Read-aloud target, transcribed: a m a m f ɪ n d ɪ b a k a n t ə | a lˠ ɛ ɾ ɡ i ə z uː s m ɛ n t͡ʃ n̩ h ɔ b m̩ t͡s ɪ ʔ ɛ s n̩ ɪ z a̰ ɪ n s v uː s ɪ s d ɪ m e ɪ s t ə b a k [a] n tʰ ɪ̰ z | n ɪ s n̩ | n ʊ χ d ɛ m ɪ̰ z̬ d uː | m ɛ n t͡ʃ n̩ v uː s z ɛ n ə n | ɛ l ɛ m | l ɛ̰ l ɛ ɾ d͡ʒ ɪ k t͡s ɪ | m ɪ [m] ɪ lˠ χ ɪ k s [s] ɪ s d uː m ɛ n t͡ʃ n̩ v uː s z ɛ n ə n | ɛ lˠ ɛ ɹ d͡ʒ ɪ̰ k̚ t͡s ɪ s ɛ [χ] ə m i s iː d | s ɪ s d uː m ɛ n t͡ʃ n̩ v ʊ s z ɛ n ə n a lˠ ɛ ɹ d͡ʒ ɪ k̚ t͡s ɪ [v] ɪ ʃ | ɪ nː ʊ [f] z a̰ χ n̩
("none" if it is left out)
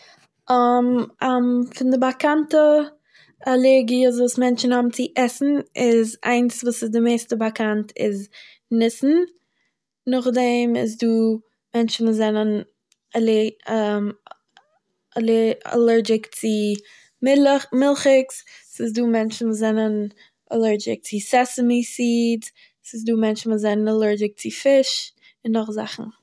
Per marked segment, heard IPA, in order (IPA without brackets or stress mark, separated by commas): a, m, s, s, f, χ